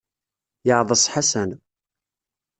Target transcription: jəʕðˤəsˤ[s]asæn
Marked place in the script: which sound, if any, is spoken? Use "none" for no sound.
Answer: ħ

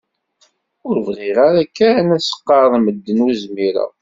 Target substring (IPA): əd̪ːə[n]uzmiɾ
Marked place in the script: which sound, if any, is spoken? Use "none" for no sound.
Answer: n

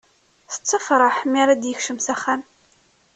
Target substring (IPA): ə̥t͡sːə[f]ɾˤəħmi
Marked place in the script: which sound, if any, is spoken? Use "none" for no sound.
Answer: f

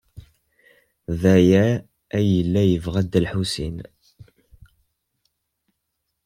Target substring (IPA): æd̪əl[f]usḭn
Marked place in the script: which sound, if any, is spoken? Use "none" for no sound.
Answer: ħ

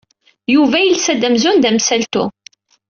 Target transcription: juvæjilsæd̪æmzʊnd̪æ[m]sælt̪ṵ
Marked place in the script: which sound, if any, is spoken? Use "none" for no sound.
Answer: m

